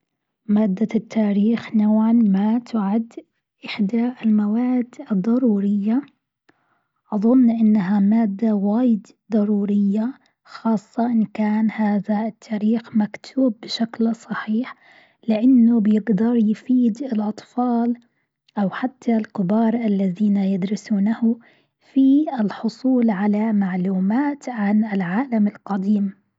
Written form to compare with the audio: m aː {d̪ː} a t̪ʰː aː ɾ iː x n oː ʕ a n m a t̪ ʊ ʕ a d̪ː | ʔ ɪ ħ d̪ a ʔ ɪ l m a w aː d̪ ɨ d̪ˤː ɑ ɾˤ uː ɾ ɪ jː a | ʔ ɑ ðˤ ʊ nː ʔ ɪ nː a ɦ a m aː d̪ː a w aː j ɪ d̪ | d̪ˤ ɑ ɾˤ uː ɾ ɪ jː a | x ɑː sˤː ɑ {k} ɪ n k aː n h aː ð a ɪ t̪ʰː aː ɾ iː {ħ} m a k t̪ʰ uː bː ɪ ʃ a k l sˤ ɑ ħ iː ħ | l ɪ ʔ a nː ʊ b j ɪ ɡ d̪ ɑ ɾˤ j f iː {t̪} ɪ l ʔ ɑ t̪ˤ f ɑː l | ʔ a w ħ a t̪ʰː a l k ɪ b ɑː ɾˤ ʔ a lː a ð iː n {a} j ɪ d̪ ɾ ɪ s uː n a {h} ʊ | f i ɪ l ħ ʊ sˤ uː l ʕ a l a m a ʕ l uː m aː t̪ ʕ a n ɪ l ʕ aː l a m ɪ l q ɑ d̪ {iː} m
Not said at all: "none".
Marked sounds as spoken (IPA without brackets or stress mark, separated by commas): d̪ː, ʔ, x, d̪, a, h, iː